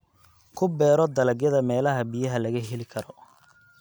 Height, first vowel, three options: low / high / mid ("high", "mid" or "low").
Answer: high